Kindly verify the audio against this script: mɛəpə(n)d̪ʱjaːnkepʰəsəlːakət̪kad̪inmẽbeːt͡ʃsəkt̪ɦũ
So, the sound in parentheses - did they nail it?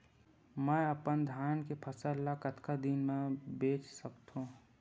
yes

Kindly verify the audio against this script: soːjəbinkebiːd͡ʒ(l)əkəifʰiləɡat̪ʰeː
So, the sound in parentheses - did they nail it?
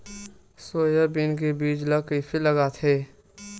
yes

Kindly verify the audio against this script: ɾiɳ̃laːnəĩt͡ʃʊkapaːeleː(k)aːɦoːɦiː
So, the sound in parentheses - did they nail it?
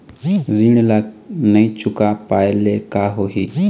yes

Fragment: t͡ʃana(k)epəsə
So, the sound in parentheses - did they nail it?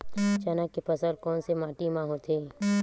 yes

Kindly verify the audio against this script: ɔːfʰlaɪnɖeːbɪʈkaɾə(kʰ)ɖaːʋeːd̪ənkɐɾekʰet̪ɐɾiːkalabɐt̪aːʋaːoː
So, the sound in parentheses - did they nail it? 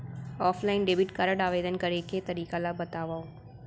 no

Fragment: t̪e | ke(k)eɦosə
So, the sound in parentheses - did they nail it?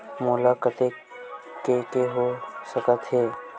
yes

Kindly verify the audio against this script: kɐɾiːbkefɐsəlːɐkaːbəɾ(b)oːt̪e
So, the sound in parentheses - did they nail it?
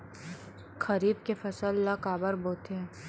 yes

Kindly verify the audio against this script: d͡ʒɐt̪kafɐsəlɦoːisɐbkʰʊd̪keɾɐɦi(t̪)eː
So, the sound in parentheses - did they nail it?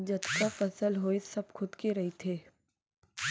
no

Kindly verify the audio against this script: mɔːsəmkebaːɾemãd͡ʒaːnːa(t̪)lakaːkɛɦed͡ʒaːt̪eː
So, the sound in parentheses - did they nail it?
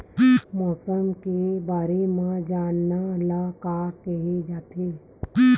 no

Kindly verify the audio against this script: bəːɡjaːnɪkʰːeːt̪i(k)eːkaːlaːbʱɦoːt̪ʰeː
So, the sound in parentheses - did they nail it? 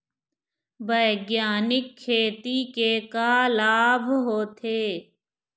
yes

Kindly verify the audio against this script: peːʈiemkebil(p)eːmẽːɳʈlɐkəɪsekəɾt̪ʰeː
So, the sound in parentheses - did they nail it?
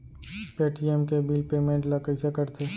yes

